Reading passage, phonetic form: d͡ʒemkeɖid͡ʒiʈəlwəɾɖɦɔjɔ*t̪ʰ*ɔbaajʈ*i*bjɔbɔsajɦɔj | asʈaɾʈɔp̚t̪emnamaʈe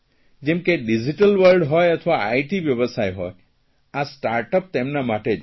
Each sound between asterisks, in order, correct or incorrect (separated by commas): correct, correct